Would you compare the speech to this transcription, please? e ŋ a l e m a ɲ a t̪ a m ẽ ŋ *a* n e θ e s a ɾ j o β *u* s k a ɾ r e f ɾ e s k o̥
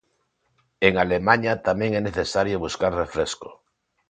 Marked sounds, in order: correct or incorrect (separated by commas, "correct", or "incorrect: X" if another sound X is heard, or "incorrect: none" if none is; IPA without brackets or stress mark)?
incorrect: ɛ, correct